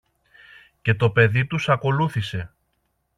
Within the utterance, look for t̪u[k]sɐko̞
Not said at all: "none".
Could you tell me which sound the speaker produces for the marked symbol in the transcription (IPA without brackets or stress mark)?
none